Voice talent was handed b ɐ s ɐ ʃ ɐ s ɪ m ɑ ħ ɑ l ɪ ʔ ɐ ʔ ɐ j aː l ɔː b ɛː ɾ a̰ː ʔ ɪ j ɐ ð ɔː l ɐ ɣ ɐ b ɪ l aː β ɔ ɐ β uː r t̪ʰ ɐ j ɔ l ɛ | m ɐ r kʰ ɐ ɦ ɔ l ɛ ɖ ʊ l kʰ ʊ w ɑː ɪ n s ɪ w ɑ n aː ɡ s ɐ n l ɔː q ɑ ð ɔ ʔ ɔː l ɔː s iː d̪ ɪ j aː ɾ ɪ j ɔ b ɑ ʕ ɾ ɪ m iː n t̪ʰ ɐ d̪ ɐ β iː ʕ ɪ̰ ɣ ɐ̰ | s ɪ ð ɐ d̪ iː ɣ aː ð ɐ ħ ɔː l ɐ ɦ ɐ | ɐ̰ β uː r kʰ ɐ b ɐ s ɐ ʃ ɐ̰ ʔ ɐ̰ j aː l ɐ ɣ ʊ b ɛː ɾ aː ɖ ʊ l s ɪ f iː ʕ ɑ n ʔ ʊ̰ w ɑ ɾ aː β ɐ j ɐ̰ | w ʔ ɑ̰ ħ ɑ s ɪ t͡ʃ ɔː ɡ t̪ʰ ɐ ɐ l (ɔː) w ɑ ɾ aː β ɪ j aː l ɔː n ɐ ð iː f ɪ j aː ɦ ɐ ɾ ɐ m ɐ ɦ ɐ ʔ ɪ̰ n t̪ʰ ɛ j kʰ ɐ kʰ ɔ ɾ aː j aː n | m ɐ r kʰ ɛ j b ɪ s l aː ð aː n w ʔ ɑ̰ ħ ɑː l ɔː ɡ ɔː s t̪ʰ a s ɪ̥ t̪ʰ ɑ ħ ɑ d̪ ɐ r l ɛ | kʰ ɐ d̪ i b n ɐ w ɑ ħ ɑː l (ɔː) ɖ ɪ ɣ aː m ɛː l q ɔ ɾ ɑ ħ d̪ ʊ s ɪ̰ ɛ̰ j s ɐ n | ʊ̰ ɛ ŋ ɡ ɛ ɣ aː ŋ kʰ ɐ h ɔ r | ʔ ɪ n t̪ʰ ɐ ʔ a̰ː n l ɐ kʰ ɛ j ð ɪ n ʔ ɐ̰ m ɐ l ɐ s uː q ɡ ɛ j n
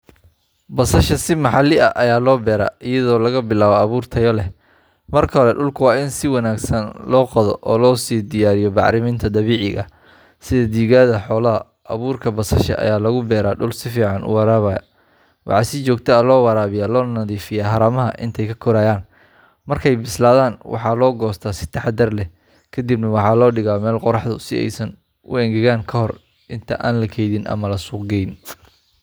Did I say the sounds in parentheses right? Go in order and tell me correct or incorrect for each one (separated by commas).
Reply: correct, correct